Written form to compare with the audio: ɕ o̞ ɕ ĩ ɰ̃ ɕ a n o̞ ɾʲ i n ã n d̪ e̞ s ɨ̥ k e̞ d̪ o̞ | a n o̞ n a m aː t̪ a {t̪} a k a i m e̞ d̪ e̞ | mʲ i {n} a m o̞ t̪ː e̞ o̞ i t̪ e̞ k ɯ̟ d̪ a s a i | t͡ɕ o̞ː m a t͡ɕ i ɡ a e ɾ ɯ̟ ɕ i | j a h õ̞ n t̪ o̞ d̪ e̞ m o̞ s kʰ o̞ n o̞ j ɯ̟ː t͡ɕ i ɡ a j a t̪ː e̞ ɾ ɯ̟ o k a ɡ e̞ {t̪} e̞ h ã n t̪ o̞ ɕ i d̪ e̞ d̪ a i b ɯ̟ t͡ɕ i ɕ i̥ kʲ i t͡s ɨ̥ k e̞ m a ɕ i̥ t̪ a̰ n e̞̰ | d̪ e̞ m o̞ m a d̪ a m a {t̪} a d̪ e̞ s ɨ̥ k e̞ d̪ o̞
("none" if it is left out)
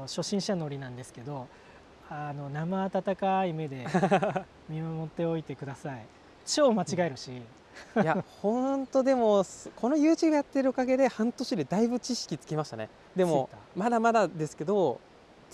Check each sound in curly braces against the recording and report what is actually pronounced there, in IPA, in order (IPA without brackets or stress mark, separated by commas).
t̪, m, d̪, d̪